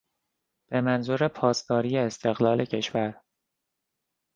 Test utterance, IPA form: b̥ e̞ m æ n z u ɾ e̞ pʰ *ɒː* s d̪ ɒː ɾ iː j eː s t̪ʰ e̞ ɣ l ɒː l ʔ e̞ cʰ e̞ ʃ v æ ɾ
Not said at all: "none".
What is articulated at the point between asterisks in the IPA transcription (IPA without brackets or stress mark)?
ɒː